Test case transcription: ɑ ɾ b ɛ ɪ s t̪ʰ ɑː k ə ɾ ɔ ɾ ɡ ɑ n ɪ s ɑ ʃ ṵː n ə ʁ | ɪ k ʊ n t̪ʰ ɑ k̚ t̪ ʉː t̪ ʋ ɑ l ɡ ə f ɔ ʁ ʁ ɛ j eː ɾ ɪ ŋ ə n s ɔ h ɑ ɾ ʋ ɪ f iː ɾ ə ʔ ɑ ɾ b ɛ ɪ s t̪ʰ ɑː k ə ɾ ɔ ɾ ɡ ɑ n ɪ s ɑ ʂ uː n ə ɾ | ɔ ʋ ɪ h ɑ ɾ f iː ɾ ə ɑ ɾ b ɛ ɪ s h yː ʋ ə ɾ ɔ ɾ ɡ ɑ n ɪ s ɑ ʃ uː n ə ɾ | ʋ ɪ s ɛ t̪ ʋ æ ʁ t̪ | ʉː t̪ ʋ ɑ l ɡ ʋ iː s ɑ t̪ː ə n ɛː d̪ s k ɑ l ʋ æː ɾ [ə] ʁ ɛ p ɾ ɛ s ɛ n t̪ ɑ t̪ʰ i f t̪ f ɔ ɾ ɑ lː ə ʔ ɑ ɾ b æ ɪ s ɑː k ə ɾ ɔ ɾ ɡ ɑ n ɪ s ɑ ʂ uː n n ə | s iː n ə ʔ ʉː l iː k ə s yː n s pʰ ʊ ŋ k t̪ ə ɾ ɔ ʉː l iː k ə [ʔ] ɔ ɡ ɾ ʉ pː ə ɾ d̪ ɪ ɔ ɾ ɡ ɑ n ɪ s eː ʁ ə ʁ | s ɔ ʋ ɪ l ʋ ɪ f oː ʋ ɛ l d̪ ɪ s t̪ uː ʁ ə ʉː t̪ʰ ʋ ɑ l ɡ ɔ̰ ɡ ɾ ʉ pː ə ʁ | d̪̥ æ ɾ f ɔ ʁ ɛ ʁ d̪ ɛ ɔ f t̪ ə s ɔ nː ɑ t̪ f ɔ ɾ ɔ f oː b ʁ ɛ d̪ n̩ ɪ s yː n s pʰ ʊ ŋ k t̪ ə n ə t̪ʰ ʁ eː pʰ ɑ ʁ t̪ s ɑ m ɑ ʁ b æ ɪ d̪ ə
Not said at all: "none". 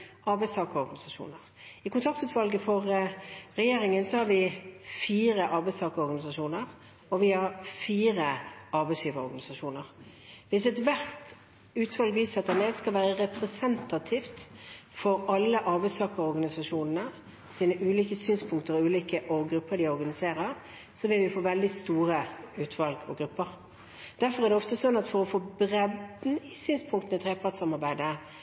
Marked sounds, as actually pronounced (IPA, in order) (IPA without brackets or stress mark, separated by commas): ə, ʔ